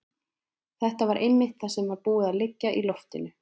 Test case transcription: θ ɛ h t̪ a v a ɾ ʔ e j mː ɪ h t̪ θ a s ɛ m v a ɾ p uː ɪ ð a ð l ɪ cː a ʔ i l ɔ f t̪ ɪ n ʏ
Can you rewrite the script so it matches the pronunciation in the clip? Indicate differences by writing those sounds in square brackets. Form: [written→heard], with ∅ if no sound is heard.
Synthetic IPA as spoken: θ ɛ h t̪ a v a ɾ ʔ e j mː ɪ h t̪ θ a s ɛ m v a ɾ p uː ɪ ð a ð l ɪ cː a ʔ i l ɔ f t̪ ɪ n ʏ